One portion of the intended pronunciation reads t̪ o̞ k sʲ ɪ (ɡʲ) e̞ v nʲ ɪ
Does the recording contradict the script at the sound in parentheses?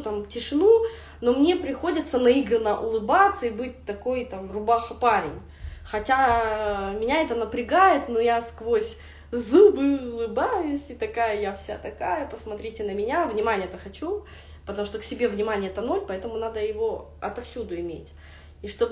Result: yes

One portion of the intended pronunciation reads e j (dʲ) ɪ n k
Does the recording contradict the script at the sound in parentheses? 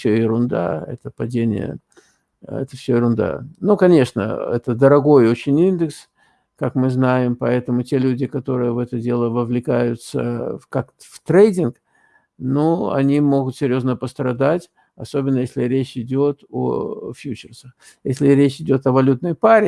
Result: no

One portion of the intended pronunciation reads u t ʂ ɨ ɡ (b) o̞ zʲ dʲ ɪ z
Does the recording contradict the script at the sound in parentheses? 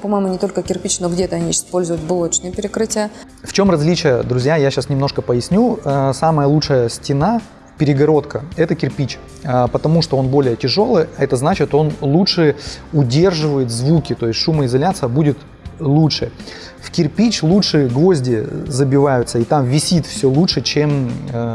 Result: yes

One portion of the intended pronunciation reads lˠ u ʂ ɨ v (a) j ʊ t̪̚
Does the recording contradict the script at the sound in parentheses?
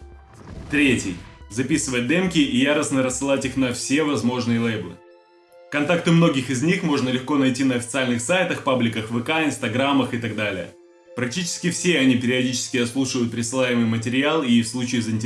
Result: yes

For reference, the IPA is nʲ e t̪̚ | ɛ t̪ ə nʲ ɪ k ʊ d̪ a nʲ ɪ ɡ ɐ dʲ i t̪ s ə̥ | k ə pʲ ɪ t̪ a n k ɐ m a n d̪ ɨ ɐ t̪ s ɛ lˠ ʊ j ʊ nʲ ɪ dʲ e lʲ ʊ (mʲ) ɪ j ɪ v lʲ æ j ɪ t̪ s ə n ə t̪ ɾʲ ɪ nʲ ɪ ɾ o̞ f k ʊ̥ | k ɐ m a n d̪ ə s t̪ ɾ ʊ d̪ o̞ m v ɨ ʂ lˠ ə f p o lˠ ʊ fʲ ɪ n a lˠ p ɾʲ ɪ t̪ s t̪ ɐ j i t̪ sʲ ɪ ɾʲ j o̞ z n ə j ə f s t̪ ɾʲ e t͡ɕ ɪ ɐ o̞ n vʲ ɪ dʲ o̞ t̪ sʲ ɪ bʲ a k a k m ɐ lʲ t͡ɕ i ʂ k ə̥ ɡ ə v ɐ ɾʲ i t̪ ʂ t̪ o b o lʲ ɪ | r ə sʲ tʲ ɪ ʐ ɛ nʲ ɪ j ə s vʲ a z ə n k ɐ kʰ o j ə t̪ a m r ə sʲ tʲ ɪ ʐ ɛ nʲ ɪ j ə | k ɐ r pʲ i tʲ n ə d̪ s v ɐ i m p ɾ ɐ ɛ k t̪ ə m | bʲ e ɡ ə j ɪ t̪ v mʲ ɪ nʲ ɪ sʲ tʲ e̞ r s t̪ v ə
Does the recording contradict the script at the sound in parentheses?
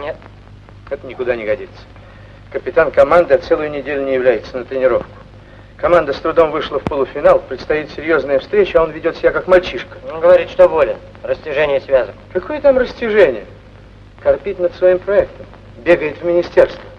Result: yes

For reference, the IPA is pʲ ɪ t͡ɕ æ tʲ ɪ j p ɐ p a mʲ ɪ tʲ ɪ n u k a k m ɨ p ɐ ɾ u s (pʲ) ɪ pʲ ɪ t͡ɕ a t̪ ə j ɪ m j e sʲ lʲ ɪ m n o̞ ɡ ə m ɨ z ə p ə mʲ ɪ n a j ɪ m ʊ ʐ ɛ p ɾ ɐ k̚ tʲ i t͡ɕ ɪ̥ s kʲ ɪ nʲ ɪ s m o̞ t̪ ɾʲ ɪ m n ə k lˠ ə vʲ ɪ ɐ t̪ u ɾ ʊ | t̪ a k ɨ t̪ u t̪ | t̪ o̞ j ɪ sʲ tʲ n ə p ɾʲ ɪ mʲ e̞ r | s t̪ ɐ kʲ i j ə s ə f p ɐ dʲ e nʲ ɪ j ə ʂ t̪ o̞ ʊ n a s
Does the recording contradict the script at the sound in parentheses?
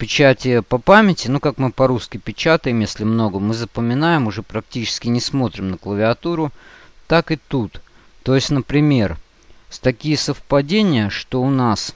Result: yes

